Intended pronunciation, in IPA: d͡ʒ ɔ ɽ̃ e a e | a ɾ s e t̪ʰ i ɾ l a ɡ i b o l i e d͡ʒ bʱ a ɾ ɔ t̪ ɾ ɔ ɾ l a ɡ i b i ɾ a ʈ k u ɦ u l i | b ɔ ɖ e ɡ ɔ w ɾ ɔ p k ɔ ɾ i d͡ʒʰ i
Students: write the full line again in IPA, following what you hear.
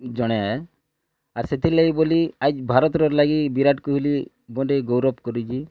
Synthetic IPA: d͡ʒ ɔ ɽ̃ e a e | a ɾ s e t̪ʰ i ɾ l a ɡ i b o l i a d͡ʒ bʱ a ɾ ɔ t̪ ɾ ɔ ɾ l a ɡ i b i ɾ a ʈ k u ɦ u l i | b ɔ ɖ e ɡ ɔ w ɾ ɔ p k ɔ ɾ i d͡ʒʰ i